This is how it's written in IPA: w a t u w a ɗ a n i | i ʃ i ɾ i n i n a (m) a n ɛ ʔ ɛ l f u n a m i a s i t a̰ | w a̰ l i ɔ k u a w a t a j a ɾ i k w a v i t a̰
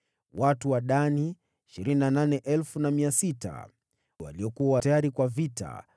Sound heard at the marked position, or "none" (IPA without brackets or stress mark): n